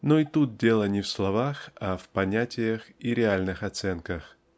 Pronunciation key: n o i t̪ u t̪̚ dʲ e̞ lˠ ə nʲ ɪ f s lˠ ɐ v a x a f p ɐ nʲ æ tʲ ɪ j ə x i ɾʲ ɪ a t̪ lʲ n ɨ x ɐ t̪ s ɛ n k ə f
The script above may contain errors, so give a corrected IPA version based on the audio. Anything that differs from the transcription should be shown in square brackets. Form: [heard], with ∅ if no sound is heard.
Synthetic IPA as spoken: n o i t̪ u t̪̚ dʲ e̞ lˠ ə nʲ ɪ f s lˠ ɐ v a x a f p ɐ nʲ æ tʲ ɪ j ə x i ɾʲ ɪ a [∅] lʲ n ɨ x ɐ t̪ s ɛ n k ə [x]

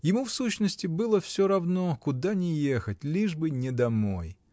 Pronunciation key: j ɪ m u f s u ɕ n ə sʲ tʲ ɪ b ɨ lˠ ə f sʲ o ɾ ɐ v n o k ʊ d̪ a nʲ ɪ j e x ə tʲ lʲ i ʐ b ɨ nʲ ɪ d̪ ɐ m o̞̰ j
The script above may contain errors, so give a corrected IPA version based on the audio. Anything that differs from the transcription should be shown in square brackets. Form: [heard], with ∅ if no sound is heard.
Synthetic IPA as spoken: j ɪ m u f s u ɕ n ə sʲ tʲ ɪ b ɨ lˠ ə f sʲ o ɾ ɐ v n o k ʊ d̪ a nʲ ɪ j e x ə tʲ lʲ i ʐ b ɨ nʲ ɪ d̪ ɐ m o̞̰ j

